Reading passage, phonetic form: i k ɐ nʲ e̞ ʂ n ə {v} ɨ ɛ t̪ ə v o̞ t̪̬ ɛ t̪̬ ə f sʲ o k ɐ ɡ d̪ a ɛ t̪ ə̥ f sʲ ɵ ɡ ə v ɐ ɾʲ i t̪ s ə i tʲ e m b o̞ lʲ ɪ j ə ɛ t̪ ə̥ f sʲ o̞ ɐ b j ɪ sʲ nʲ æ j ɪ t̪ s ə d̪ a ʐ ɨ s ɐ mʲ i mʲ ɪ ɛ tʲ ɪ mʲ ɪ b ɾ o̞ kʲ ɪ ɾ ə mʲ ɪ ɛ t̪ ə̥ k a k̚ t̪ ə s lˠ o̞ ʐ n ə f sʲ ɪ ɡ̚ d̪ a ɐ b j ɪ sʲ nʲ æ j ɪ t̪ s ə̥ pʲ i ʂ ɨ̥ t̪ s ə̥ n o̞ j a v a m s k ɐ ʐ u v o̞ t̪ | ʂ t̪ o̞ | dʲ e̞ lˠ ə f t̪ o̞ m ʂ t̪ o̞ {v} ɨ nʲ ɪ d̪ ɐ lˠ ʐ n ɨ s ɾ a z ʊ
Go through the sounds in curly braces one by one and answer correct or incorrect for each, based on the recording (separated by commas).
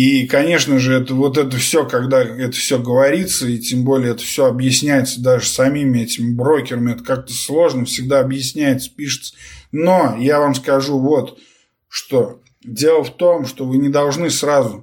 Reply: incorrect, correct